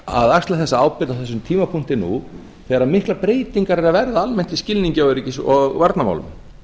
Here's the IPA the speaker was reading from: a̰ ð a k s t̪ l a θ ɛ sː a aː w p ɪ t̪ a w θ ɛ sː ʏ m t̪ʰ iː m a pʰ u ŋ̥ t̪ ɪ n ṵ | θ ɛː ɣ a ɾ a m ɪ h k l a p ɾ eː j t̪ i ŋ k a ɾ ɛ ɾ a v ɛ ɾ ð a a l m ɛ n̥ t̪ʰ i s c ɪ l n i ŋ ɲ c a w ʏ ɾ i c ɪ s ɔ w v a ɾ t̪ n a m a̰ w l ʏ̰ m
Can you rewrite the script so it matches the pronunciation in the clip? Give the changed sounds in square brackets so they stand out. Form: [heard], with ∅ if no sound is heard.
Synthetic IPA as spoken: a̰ ð a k s t̪ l a θ ɛ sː a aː w p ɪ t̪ a w θ ɛ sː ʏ m t̪ʰ iː m a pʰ u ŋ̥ t̪ ɪ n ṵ | θ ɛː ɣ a ɾ a m ɪ h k l a p ɾ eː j t̪ i ŋ k a ɾ ɛ ɾ a v ɛ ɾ ð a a l m ɛ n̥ [t̪] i s c ɪ l n i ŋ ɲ c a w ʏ ɾ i c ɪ s ɔ [ɣ] v a ɾ t̪ n a m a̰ w l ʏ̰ m

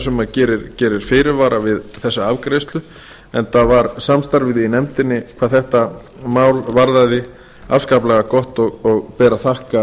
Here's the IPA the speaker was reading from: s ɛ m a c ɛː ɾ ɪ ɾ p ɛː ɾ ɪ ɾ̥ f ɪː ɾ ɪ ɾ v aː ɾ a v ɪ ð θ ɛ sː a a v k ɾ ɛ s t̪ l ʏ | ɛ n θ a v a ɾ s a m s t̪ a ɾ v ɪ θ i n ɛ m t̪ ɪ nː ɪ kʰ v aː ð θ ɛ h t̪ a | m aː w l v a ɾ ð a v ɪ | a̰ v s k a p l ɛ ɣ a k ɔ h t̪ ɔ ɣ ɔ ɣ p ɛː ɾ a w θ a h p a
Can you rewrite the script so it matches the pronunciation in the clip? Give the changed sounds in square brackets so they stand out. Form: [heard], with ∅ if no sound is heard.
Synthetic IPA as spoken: s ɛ m a c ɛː ɾ ɪ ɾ [c] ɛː ɾ ɪ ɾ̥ f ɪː ɾ ɪ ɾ v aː ɾ a v ɪ ð θ ɛ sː a a v k ɾ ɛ s t̪ l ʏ | ɛ n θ a v a ɾ s a m s t̪ a ɾ v ɪ [ð] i n ɛ m t̪ ɪ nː ɪ kʰ v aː ð θ ɛ h t̪ a | m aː w l v a ɾ ð a [ð] ɪ | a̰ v s k a p l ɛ ɣ a k ɔ h t̪ ɔ ɣ ɔ ɣ p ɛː ɾ a [∅] θ a h [k] a

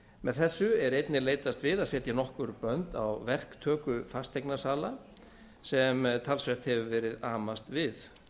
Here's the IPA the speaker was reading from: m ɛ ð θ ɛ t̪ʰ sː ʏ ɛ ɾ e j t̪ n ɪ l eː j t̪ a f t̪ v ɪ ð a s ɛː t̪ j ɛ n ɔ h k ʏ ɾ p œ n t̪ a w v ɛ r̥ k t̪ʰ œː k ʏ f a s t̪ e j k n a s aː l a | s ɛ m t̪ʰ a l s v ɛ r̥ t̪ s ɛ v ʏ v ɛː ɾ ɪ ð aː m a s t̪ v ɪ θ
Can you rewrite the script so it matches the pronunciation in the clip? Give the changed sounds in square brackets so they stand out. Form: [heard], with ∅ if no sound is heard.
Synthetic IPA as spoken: m ɛ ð θ ɛ [∅] sː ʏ ɛ ɾ e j t̪ n ɪ l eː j t̪ a [s] t̪ v ɪ ð a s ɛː t̪ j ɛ n ɔ h k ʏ ɾ p œ n t̪ a w v ɛ r̥ k t̪ʰ œː k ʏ f a s t̪ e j k n a s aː l a | s ɛ m t̪ʰ a l s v ɛ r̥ t̪ [h] ɛ v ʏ v ɛː ɾ ɪ ð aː m a s t̪ v ɪ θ

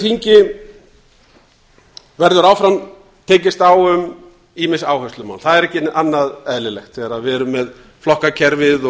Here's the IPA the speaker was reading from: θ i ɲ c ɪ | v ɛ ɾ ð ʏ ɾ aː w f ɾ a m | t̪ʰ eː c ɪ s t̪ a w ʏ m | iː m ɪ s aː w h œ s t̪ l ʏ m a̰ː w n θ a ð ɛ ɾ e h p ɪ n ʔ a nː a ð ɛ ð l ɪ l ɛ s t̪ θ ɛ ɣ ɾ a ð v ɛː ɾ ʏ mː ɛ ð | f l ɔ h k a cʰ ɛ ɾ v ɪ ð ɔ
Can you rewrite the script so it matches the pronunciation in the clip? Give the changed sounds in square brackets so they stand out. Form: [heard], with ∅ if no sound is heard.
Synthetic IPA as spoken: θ i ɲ c ɪ | v ɛ ɾ ð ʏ ɾ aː w f ɾ a m | t̪ʰ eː c ɪ s t̪ a w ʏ m | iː m ɪ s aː w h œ s t̪ l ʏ m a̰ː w n θ a ð ɛ ɾ [ɛ] h [c] ɪ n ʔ a nː a ð ɛ ð l ɪ l ɛ [x] t̪ θ ɛ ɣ ɾ a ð v ɛː ɾ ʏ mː ɛ ð | f l ɔ h k a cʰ ɛ ɾ v ɪ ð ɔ

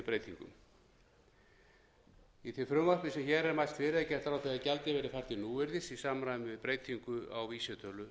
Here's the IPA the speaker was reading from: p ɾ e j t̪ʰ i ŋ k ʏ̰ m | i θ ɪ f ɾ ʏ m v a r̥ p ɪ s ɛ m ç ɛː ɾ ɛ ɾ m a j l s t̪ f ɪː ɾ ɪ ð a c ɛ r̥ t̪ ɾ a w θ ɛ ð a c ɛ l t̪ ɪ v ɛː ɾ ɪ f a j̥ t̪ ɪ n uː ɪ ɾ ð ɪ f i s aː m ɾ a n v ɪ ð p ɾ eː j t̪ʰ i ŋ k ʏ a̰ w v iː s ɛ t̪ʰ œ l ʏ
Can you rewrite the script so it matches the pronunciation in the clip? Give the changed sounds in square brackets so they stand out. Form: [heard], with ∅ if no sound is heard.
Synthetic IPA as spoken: p ɾ e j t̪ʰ i ŋ k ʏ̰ m | i θ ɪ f ɾ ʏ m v a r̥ p ɪ s ɛ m ç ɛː ɾ ɛ ɾ m a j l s t̪ f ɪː ɾ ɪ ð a c ɛ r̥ t̪ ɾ a w θ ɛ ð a c ɛ l t̪ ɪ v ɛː ɾ ɪ f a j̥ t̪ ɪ n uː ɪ ɾ ð ɪ [s] i s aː m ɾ a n v ɪ ð p ɾ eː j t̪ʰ i ŋ k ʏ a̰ w v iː s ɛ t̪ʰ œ l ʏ

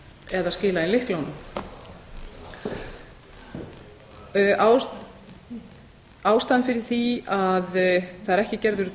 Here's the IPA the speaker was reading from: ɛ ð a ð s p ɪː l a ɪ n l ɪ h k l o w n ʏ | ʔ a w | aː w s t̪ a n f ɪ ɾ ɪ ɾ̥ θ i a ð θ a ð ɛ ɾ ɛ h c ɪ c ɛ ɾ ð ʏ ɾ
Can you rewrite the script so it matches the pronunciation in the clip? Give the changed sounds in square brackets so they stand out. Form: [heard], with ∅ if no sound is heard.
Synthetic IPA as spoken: ɛ ð a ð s [c] ɪː l a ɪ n l ɪ h k l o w n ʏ | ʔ a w | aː w s t̪ a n f ɪ ɾ ɪ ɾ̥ θ i a ð θ a ð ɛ ɾ ɛ h c ɪ c ɛ ɾ ð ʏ ɾ

